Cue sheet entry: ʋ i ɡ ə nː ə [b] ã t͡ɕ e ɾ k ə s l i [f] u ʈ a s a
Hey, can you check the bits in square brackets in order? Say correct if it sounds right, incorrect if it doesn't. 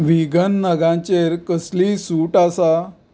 incorrect: ɡ, incorrect: s

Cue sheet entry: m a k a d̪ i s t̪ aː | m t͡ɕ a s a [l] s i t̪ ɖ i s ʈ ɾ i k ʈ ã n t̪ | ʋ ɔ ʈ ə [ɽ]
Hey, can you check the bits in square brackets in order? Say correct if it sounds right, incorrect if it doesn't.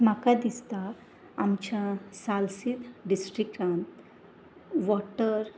correct, incorrect: ɾ

